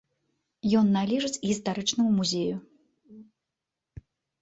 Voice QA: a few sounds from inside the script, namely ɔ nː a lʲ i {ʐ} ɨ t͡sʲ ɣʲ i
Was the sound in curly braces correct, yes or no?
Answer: yes